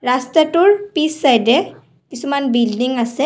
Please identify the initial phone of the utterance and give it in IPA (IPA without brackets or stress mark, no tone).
ɾ